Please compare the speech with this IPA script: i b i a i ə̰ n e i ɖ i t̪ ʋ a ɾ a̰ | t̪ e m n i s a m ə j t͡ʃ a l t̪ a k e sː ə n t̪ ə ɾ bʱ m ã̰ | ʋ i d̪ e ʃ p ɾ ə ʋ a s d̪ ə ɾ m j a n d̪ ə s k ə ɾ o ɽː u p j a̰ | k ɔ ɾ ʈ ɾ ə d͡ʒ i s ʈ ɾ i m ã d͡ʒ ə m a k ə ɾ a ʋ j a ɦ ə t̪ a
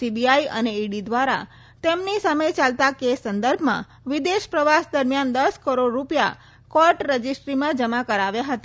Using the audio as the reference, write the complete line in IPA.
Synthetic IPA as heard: i b i a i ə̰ n e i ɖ i d̪ ʋ a ɾ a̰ | t̪ e m n i s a m ə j t͡ʃ a l t̪ a k e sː ə n d̪ ə ɾ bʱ m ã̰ | ʋ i d̪ e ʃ p ɾ ə ʋ a s d̪ ə ɾ m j a n d̪ ə s k ə ɾ o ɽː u p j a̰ | k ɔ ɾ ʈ ɾ ə d͡ʒ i s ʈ ɾ i m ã d͡ʒ ə m a k ə ɾ a ʋ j a ɦ ə t̪ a